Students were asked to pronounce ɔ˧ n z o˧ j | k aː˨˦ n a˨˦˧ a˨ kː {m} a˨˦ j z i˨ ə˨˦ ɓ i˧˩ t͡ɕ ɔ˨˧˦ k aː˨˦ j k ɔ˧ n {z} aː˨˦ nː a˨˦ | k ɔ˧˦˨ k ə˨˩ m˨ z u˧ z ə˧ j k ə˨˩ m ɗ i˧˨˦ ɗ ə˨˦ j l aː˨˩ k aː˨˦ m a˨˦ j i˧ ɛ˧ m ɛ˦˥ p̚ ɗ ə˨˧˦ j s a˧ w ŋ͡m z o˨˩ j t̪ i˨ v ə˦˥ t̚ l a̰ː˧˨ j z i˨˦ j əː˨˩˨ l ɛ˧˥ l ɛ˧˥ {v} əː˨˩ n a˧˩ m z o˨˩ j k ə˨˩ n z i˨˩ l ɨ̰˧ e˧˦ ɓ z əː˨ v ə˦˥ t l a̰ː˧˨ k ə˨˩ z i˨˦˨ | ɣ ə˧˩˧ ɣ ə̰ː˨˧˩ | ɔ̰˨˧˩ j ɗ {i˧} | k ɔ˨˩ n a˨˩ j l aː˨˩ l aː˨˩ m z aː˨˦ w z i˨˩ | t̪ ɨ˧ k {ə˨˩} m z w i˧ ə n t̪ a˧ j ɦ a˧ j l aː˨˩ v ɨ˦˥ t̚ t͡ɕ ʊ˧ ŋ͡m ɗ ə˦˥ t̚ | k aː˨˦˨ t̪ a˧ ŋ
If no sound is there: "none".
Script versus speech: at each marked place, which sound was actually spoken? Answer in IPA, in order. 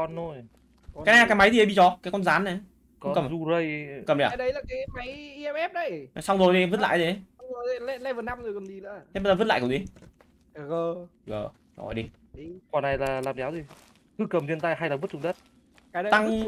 m, z, v, i˧, ə˨˩

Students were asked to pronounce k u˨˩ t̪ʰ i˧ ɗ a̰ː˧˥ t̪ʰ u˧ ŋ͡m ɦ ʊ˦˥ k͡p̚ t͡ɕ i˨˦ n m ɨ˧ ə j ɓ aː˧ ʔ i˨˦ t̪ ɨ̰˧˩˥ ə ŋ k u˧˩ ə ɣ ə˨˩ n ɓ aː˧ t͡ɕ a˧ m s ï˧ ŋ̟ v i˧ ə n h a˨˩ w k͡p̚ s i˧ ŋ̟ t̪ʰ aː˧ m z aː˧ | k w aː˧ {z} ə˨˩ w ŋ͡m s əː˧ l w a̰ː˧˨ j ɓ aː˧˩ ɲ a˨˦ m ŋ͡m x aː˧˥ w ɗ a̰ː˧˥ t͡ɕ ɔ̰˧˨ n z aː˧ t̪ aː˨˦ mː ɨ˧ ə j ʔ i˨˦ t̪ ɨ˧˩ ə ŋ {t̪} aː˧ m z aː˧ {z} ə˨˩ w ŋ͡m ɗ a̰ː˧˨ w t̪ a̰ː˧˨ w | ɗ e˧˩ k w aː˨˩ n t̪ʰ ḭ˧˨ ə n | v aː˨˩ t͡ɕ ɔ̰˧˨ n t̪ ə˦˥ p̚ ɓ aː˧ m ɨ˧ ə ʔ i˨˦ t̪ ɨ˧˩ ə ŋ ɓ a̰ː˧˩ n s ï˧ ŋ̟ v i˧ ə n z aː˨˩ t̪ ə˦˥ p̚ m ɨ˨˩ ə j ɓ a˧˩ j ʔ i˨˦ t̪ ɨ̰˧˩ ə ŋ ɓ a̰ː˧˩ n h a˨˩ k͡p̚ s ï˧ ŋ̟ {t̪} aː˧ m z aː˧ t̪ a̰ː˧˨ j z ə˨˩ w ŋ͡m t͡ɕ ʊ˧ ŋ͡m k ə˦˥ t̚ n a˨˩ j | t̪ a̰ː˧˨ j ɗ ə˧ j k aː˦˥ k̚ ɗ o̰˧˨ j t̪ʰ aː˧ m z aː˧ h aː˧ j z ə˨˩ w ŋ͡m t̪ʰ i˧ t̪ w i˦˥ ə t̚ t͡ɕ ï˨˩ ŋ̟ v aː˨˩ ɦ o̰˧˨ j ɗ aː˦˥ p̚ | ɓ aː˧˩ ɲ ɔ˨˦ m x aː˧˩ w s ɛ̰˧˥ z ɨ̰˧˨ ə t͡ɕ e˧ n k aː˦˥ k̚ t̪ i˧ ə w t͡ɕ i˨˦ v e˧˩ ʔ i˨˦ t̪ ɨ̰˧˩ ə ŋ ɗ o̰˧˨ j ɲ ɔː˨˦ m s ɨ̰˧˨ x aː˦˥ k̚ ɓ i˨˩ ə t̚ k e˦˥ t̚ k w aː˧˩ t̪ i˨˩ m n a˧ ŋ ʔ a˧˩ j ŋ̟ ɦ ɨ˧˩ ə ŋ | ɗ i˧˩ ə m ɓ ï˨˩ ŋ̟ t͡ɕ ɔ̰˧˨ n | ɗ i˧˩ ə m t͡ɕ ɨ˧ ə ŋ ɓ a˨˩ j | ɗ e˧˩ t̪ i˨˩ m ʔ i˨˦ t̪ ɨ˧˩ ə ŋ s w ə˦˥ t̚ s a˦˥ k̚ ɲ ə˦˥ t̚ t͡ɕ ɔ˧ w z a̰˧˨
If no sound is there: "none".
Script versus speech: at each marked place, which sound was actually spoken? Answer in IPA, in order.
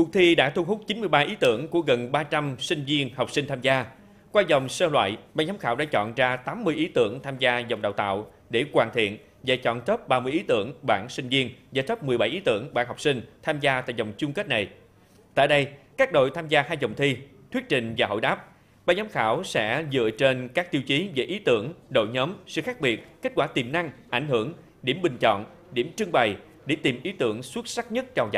z, t̪ʰ, z, t̪ʰ

